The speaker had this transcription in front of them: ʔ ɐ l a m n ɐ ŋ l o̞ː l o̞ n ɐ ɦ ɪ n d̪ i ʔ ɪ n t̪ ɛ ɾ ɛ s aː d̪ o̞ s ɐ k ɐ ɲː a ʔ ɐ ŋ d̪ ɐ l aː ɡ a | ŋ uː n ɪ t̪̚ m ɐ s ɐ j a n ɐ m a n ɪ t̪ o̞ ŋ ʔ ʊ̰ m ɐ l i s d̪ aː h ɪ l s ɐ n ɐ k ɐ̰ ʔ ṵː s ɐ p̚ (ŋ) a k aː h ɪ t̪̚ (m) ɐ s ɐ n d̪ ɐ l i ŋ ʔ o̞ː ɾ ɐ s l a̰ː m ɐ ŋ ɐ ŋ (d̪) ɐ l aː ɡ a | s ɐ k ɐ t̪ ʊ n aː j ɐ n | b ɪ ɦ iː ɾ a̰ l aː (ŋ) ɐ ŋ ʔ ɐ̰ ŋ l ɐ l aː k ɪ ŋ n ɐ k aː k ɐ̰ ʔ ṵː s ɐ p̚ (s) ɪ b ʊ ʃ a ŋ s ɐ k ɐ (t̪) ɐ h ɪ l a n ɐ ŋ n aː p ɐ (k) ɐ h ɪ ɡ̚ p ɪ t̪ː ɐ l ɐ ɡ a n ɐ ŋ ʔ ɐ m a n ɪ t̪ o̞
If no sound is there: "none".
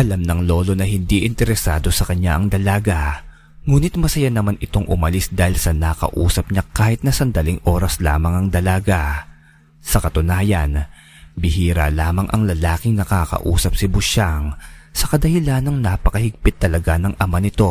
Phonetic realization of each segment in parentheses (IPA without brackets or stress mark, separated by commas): ɲ, n, d̪, m, s, d̪, k